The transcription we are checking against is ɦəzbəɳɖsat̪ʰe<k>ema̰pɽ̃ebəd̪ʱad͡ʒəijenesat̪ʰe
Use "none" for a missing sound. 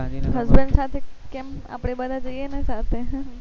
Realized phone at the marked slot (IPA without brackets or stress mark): k